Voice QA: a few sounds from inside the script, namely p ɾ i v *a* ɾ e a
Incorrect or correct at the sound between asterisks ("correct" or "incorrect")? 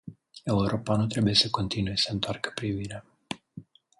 incorrect